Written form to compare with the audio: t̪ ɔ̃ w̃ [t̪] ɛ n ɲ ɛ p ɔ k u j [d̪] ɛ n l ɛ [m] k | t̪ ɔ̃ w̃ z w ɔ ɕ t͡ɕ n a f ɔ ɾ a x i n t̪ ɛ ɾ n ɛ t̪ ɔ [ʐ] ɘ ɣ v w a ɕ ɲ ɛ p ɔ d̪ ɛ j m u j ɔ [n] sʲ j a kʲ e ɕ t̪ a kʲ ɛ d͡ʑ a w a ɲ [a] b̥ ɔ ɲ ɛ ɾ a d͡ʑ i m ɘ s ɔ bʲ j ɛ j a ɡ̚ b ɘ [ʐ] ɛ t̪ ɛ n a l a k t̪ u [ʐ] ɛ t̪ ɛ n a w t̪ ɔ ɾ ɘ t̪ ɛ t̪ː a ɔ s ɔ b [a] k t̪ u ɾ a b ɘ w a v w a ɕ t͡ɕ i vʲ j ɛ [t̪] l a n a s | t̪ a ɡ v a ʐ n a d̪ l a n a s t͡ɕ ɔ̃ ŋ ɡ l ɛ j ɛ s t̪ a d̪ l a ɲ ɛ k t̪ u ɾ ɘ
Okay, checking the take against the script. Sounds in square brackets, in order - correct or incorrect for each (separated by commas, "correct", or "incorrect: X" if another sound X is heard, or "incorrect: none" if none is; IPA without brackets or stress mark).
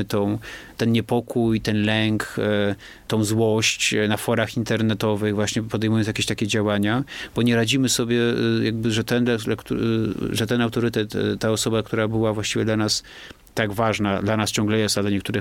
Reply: correct, incorrect: t̪, incorrect: ŋ, incorrect: v, correct, correct, correct, correct, correct, incorrect: d̪